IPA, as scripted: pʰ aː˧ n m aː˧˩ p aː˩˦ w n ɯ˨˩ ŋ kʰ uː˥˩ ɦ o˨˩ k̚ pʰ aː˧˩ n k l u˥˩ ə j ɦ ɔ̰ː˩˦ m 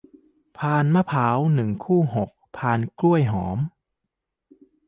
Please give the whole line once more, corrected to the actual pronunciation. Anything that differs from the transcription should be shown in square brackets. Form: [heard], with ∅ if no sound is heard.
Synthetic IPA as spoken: pʰ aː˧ n m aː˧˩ [pʰ] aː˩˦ w n ɯ˨˩ ŋ kʰ uː˥˩ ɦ o˨˩ k̚ pʰ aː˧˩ n k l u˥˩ ə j ɦ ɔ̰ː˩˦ m